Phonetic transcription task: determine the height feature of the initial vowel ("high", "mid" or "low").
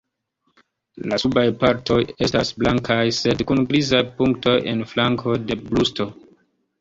low